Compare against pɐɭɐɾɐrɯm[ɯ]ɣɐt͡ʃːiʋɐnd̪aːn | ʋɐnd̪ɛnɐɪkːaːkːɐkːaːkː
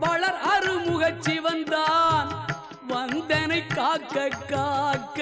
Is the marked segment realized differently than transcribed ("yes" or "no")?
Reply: yes